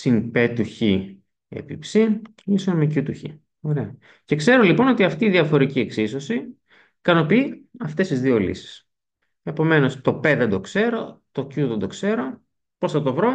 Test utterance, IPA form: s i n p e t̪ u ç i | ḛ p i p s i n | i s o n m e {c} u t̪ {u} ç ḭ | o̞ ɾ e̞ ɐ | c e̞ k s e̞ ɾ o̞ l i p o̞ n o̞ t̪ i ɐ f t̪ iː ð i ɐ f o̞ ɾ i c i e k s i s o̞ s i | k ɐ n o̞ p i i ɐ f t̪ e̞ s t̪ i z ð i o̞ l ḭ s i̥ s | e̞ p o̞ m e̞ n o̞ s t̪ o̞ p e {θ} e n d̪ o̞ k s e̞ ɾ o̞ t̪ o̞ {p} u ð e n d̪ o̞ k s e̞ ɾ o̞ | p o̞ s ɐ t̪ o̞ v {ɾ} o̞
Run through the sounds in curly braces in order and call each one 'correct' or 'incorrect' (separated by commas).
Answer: correct, correct, incorrect, incorrect, correct